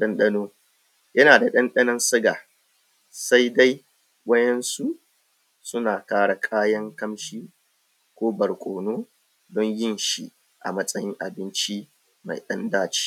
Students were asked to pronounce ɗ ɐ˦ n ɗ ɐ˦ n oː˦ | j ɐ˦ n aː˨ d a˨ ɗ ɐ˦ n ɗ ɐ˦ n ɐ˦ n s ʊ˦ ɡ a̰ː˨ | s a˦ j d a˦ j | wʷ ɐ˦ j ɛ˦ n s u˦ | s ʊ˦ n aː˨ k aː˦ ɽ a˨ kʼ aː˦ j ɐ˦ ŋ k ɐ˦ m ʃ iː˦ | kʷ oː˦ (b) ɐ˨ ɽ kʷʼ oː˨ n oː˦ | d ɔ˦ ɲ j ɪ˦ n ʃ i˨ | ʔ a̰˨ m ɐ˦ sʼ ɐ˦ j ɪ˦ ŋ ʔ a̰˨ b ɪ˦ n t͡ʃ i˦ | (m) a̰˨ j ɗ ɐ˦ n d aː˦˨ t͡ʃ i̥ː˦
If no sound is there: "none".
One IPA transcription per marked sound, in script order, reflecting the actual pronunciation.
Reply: b, m

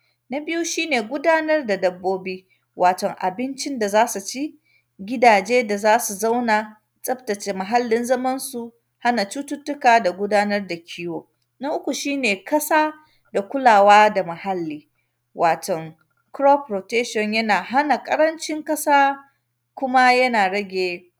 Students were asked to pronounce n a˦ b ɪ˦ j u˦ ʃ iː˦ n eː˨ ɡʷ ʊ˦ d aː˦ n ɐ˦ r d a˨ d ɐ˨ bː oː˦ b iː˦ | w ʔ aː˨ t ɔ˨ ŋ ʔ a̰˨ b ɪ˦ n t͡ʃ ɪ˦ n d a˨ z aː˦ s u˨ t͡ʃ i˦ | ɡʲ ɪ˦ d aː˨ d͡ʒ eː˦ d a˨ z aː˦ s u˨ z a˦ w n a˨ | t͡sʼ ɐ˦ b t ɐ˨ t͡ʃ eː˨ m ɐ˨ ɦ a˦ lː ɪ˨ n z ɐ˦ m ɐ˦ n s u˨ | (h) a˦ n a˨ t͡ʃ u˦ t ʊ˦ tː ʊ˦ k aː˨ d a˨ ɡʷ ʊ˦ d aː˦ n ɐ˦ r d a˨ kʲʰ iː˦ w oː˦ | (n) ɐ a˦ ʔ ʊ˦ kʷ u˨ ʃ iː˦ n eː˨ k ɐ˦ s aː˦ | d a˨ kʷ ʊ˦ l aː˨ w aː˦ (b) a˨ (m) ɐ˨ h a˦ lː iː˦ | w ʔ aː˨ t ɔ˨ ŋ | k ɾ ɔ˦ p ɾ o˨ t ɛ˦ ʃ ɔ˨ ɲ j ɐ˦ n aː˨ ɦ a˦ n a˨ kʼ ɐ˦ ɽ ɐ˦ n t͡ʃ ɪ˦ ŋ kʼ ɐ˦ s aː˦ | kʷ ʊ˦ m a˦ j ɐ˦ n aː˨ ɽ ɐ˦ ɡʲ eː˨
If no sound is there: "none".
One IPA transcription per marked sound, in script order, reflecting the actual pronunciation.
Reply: h, n, d, m

